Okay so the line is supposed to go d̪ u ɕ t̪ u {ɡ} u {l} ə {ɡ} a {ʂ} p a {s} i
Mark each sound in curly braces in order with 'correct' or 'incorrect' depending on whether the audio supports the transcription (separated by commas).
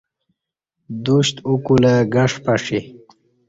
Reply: incorrect, correct, correct, correct, incorrect